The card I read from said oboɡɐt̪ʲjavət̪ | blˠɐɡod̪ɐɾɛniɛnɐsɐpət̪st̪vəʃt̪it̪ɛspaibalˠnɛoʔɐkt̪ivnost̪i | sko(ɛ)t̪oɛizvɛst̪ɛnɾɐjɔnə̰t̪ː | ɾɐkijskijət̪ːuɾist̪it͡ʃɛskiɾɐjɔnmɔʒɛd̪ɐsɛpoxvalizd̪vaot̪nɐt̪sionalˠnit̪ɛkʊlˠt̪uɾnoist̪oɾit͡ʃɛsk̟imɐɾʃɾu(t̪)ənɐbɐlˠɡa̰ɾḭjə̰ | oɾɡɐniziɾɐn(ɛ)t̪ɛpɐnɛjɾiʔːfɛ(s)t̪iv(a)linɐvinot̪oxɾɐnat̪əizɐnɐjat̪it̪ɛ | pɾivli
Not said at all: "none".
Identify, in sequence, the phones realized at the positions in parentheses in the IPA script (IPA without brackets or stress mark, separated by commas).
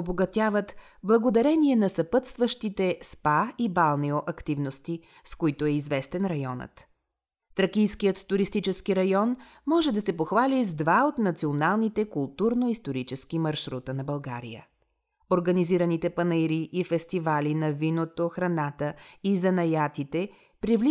i, t̪, i, s, a